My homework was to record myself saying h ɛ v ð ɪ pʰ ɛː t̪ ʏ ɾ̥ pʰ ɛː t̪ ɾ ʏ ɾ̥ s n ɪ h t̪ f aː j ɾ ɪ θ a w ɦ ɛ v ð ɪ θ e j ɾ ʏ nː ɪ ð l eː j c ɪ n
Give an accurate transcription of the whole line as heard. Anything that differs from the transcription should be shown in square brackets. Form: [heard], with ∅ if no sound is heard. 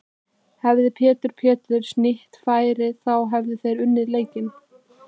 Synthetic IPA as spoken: h ɛ v ð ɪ pʰ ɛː t̪ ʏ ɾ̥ pʰ ɛː t̪ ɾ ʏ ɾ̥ s n ɪ h t̪ f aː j ɾ ɪ θ a w ɦ ɛ v ð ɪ θ e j ɾ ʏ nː ɪ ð l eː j c ɪ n